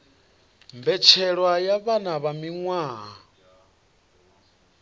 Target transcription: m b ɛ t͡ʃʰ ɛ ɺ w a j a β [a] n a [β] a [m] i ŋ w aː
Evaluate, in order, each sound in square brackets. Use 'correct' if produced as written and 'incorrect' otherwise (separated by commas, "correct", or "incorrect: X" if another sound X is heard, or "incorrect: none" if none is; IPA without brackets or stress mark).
correct, correct, correct